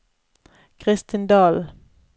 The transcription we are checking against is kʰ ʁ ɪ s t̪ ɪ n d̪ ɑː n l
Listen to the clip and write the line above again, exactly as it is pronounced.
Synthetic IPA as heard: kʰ ʁ ɪ s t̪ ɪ n d̪ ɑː l